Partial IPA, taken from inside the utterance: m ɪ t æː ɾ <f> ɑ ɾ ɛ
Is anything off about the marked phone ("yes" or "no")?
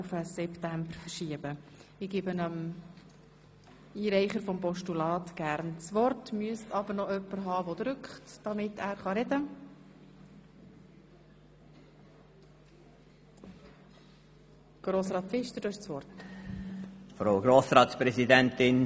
yes